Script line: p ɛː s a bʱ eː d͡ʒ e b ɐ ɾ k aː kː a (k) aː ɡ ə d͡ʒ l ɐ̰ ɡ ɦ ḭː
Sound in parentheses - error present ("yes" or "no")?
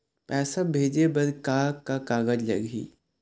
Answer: no